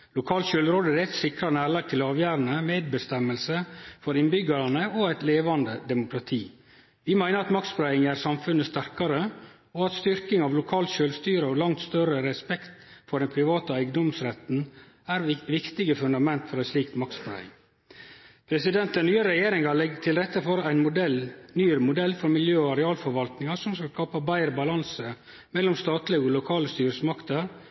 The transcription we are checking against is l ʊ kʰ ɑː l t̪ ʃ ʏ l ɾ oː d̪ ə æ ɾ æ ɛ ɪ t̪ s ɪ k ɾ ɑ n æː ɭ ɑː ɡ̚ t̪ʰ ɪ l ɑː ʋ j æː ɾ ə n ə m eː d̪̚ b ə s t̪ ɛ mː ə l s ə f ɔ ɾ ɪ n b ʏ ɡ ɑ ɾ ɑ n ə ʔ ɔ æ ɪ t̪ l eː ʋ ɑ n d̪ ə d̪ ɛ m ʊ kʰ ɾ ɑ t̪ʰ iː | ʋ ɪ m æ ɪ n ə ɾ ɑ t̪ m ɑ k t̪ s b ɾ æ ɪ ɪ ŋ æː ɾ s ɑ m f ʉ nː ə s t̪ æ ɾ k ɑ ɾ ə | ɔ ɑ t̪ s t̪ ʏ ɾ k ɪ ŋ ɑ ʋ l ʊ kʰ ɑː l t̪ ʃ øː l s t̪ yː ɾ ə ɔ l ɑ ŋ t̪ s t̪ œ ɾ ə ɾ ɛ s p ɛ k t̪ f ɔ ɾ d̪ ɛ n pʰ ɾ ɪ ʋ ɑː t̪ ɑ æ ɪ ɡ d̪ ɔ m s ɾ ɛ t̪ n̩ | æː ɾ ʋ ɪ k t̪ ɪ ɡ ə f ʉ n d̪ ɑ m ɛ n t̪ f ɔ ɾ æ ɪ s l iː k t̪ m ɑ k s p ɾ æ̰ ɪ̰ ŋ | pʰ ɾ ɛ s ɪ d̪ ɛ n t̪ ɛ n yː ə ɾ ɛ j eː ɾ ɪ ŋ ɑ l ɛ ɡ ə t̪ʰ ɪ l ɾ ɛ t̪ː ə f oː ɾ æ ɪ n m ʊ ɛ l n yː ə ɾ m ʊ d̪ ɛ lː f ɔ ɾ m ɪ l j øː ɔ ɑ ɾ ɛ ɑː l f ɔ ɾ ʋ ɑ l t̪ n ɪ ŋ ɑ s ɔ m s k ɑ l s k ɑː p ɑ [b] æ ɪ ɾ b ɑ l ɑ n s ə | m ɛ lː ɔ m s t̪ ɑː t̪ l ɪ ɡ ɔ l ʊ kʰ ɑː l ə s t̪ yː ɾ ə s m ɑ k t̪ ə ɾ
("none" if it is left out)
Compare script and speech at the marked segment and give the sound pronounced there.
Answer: b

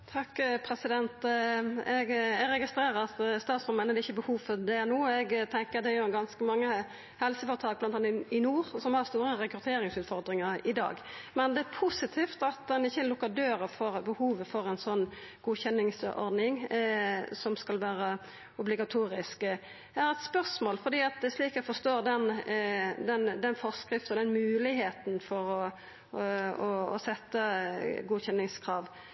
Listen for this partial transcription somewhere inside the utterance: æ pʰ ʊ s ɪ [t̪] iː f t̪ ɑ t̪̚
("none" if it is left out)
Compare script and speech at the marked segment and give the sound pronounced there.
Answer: t̪ʰ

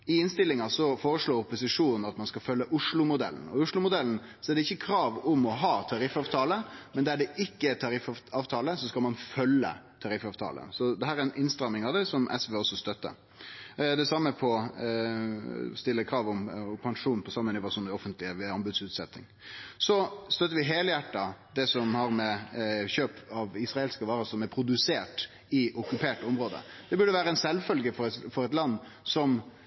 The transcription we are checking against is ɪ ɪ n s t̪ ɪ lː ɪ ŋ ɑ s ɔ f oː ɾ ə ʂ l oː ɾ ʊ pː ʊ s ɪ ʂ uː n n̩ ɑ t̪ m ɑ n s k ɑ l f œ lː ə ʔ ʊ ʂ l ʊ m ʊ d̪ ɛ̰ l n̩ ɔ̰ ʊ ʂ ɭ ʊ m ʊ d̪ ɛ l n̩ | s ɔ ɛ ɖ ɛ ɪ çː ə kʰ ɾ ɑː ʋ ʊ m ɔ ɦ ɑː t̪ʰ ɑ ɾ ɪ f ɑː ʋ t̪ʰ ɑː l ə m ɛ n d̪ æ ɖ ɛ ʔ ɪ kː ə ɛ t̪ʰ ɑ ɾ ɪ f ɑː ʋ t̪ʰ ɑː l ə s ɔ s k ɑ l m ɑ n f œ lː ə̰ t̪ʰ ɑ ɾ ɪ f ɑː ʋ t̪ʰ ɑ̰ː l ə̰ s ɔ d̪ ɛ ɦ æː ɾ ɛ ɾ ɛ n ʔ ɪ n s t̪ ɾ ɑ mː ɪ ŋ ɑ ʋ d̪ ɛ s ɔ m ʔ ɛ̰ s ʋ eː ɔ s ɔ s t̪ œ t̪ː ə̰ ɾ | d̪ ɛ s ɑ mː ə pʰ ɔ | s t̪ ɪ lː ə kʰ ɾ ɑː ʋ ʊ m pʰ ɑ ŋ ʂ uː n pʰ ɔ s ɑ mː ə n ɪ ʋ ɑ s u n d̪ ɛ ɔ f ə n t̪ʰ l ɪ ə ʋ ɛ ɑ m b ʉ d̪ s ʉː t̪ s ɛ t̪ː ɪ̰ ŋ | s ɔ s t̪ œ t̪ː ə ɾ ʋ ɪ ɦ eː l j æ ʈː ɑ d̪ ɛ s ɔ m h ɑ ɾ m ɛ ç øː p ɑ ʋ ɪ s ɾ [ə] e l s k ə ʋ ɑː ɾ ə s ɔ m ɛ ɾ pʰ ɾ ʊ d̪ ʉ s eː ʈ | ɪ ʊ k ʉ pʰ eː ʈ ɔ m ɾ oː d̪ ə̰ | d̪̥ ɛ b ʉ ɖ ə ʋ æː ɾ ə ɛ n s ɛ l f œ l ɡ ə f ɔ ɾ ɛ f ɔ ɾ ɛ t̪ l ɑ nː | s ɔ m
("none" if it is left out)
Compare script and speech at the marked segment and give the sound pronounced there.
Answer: ɑ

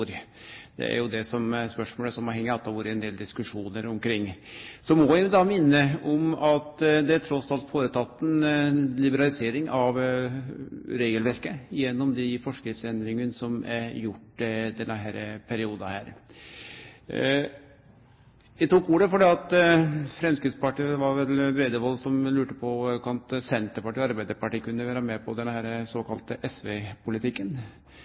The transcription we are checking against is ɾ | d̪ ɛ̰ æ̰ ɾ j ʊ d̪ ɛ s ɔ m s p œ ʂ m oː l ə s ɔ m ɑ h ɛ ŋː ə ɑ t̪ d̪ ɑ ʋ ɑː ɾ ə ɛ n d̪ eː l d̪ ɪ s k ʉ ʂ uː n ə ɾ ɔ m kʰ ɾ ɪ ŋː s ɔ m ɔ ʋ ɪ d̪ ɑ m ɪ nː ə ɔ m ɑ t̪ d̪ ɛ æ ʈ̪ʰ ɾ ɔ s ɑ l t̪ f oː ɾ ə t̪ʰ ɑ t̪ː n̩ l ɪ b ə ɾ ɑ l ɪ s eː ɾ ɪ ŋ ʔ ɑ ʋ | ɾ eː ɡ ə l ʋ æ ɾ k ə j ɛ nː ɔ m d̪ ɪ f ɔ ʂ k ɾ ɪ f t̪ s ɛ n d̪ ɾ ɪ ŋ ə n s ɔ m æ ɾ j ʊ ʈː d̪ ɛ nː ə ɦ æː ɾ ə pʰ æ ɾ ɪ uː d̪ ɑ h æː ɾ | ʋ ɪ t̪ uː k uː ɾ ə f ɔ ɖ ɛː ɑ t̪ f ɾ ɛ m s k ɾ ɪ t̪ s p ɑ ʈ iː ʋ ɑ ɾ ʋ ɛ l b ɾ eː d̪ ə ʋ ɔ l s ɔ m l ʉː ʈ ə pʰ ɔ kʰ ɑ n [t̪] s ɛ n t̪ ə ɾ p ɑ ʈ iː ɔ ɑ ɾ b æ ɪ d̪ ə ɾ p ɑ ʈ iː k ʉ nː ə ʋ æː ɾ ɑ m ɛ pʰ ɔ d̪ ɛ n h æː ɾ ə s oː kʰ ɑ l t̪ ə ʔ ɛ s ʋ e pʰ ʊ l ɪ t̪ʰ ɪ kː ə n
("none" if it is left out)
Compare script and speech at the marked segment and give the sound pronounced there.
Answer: t̪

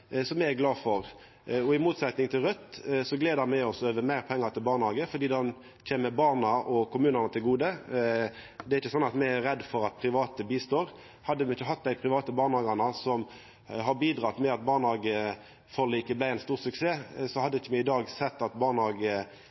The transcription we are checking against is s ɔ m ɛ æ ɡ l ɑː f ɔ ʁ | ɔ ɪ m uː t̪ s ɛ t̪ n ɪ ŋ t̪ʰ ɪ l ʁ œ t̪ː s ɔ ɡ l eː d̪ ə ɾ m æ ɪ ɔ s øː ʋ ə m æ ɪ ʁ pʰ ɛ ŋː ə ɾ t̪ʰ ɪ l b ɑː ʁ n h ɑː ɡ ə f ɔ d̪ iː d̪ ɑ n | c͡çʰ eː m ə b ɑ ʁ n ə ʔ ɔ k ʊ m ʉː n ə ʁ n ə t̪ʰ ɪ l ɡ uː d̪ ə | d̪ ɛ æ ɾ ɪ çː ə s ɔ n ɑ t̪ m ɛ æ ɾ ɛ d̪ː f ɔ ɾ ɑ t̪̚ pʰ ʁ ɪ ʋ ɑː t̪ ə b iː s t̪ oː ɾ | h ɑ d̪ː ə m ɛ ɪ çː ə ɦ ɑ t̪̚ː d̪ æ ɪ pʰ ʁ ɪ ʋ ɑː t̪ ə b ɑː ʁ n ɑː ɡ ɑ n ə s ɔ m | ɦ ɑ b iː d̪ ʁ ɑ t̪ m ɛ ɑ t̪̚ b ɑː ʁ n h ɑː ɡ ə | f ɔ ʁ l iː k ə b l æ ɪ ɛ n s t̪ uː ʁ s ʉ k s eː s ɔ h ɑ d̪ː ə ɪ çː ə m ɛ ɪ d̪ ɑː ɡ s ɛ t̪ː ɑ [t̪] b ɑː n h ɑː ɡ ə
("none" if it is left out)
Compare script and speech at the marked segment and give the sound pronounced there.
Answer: t̪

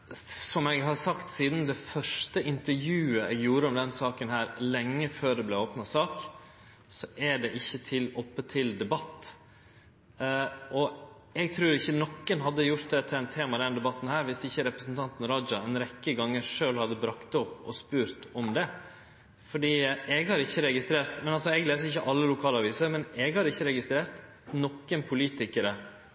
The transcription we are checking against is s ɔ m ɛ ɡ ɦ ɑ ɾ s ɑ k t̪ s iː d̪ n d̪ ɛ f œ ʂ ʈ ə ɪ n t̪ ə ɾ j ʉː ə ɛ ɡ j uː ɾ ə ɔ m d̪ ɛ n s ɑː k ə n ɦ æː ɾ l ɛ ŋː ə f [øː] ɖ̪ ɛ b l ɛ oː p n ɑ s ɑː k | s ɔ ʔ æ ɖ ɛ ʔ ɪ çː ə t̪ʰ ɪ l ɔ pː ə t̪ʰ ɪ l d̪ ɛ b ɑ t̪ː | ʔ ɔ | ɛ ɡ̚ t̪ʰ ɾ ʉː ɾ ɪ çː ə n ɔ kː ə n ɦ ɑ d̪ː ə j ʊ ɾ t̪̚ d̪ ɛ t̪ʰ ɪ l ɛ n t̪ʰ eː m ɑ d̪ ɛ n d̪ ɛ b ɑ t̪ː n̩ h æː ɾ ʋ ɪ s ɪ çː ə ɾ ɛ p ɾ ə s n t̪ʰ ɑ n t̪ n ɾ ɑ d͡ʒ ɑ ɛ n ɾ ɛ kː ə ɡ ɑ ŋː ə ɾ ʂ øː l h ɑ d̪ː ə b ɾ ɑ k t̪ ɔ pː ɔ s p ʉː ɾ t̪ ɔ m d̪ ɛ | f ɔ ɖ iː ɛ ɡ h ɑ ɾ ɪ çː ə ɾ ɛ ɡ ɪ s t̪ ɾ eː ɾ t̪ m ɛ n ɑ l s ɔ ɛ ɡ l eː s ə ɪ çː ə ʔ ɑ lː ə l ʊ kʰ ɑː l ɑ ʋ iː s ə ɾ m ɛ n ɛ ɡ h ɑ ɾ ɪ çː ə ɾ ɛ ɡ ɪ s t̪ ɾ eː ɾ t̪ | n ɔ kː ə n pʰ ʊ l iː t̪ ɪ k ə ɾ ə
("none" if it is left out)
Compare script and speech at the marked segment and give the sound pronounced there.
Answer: øː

